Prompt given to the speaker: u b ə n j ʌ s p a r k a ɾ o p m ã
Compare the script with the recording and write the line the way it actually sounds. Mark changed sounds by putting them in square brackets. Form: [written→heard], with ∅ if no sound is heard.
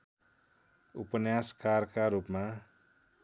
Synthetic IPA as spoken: u [b→p] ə n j [ʌ→a] s [p→k] a r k a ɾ [o→u] p m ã